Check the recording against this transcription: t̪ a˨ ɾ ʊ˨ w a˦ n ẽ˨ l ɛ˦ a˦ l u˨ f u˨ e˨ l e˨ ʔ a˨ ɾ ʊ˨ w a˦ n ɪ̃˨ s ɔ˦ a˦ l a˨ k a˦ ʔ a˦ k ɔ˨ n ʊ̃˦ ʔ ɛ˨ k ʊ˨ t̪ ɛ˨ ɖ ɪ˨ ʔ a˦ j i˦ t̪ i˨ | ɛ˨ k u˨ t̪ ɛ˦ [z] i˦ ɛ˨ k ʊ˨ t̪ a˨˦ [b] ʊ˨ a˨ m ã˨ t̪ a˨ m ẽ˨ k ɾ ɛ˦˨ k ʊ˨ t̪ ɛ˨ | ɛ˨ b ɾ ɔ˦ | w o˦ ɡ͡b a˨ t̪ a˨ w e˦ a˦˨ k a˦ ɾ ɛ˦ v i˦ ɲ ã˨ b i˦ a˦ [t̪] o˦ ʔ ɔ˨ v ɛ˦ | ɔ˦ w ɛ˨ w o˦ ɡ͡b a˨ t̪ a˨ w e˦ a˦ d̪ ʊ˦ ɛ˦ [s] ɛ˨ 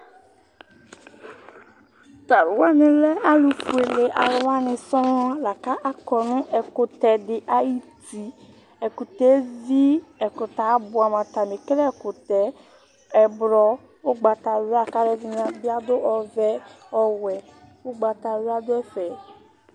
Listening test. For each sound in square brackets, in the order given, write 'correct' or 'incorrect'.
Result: correct, correct, incorrect: d̪, incorrect: f

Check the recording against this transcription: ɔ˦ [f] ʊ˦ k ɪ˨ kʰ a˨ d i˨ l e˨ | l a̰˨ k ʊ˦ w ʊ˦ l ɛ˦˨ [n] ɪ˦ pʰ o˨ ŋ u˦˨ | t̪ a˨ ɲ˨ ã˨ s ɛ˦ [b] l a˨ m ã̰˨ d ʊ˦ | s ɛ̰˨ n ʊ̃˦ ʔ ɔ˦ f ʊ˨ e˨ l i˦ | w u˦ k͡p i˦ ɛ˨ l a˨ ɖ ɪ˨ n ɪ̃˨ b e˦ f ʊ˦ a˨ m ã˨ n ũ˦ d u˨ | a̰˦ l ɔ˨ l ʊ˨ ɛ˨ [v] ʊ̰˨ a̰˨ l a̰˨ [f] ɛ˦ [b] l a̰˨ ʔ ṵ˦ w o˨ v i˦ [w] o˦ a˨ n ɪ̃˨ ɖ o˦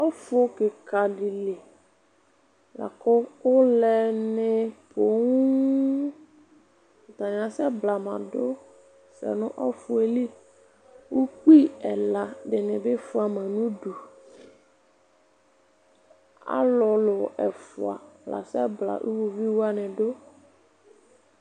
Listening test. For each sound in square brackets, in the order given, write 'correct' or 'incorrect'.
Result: correct, correct, correct, incorrect: f, incorrect: s, correct, correct

